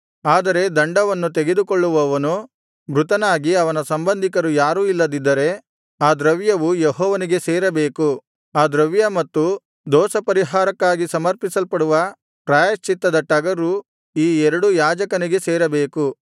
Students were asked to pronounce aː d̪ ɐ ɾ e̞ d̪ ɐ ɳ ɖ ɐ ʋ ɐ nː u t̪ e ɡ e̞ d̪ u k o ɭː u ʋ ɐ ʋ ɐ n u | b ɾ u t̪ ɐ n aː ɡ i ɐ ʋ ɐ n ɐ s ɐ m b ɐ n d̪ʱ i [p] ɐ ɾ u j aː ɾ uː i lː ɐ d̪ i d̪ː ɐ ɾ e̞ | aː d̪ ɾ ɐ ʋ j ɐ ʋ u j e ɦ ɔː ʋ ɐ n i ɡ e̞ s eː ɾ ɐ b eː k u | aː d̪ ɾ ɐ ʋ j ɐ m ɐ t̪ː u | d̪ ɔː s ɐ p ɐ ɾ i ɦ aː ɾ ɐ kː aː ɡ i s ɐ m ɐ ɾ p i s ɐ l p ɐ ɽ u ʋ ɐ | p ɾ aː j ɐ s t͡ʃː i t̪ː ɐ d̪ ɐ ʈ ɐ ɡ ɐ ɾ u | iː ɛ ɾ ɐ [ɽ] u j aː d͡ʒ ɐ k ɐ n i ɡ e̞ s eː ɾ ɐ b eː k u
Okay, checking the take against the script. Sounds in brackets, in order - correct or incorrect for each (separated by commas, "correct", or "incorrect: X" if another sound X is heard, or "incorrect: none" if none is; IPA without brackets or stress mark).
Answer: incorrect: k, correct